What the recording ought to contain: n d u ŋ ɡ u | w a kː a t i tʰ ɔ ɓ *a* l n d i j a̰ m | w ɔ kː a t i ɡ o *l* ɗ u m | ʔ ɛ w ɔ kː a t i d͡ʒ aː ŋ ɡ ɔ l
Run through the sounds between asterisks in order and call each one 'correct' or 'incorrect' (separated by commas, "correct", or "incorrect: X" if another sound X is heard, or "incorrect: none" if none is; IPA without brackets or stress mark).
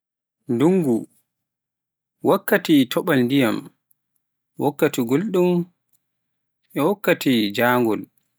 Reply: correct, correct